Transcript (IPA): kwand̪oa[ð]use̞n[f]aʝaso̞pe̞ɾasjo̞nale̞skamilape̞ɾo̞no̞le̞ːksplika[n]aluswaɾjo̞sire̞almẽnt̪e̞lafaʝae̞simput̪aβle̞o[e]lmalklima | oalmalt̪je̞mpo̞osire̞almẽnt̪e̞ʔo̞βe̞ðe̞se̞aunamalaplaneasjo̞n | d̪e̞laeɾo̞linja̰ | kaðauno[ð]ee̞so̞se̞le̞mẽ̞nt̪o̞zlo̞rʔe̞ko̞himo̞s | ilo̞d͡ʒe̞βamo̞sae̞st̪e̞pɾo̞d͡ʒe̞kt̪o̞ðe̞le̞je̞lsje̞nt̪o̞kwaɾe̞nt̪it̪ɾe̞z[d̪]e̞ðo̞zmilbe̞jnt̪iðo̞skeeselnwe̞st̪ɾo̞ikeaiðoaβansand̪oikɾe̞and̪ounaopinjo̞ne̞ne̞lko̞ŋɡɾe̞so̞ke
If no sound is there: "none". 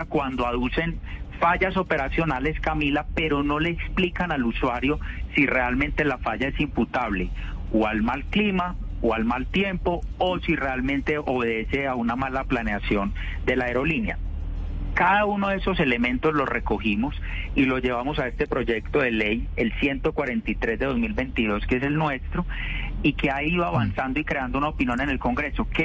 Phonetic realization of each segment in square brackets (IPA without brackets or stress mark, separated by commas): ð, f, n, a, ð, d̪